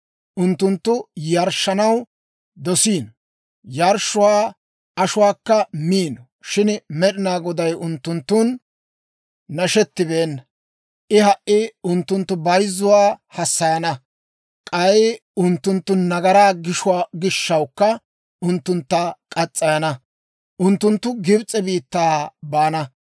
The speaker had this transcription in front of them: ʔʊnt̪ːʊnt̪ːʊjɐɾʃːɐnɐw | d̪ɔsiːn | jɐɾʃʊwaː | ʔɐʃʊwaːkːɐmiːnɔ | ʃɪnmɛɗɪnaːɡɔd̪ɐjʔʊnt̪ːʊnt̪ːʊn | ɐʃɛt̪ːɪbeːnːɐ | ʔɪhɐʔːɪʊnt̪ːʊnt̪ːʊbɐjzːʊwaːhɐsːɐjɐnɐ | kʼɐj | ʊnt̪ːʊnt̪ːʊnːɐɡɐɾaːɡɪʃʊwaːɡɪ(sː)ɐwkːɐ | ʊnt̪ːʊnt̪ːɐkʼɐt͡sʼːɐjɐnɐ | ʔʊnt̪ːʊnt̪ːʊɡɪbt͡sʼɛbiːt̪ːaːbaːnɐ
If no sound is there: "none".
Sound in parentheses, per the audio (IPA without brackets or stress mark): ʃː